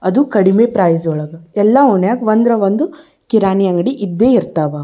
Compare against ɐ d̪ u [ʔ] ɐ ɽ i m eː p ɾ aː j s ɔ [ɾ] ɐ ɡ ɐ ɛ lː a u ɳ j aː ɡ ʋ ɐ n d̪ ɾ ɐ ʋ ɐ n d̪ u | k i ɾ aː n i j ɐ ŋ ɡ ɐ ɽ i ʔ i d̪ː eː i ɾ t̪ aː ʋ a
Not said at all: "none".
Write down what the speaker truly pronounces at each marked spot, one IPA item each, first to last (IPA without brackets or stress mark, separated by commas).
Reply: k, ɭ